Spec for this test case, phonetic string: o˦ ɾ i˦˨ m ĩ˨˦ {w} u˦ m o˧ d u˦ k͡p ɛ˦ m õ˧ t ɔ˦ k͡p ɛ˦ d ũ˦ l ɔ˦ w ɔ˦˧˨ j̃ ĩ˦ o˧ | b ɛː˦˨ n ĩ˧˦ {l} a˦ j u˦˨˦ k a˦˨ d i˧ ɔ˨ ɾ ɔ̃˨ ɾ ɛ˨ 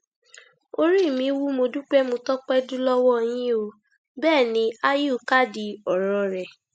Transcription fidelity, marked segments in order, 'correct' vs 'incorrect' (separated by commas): correct, incorrect